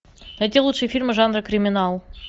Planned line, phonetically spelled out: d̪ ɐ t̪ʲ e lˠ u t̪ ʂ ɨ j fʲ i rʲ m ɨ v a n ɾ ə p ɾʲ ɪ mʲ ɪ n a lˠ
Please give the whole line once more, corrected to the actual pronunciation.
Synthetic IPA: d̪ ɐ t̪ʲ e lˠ u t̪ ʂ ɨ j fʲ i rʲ m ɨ ʐ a n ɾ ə k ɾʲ ɪ mʲ ɪ n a lˠ